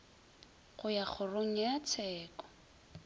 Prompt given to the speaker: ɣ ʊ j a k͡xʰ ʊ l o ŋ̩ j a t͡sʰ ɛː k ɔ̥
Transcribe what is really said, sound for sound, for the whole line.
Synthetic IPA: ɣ ʊ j a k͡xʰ ʊ r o ŋ̩ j a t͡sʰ ɛː k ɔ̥